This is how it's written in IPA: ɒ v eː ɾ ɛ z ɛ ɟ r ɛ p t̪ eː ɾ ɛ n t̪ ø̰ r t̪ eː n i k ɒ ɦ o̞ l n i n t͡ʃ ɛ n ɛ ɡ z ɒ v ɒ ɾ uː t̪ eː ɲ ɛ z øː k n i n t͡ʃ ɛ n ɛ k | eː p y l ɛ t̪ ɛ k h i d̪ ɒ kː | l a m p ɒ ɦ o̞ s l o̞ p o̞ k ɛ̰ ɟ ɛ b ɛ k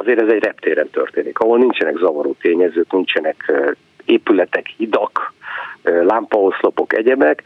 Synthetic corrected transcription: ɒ z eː ɾ ɛ z ɛ ɟ r ɛ p t̪ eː ɾ ɛ n t̪ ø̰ r t̪ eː n i k ɒ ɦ o̞ l n i n t͡ʃ ɛ n ɛ ɡ z ɒ v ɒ ɾ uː t̪ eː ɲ ɛ z øː k n i n t͡ʃ ɛ n ɛ k | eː p y l ɛ t̪ ɛ k h i d̪ ɒ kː | l a m p ɒ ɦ o̞ s l o̞ p o̞ k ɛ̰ ɟ ɛ b ɛ k